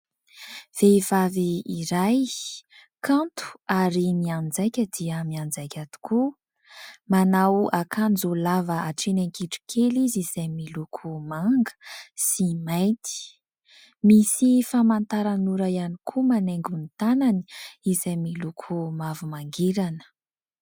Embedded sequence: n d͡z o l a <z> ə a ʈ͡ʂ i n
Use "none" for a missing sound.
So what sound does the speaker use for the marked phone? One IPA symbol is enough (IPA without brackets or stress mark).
v